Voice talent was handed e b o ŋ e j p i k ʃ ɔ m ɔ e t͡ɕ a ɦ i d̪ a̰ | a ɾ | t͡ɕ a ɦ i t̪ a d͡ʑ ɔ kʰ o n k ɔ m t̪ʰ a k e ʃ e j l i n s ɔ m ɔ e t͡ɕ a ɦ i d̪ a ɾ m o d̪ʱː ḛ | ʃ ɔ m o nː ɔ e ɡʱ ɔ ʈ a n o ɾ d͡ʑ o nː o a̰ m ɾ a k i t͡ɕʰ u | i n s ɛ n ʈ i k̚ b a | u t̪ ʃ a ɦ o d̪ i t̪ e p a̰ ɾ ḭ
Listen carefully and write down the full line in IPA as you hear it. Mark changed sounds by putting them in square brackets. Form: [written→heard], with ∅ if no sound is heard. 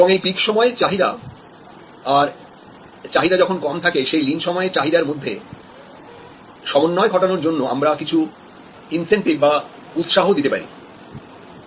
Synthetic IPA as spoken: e b o ŋ e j p i k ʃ ɔ m ɔ e t͡ɕ a ɦ i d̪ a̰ | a ɾ | t͡ɕ a ɦ i [t̪→d̪] a d͡ʑ ɔ kʰ o n k ɔ m t̪ʰ a k e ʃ e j l i n [s→ʃ] ɔ m ɔ e t͡ɕ a ɦ i d̪ a ɾ m o d̪ʱː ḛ | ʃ ɔ m o nː ɔ e ɡʱ ɔ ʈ a n o ɾ d͡ʑ o nː o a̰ m ɾ a k i t͡ɕʰ u | i n s [ɛ→e] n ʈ i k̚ b a | u t̪ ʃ a ɦ o d̪ i t̪ e p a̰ ɾ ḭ